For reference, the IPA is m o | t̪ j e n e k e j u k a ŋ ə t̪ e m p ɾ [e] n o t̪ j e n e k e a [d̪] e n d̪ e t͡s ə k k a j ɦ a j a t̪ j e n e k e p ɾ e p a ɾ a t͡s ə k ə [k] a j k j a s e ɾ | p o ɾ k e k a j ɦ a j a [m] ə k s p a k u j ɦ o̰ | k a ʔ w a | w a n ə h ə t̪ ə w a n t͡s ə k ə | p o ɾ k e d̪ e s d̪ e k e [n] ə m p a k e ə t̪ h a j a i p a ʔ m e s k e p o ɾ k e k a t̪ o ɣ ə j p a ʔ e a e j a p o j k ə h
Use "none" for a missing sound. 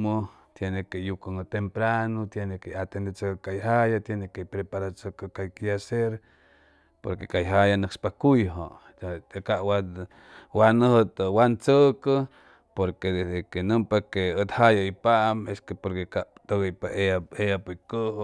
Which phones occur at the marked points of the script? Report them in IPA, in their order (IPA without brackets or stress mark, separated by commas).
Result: a, t̪, k, n, n